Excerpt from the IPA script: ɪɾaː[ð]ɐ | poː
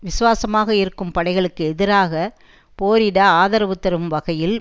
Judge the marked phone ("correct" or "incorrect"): incorrect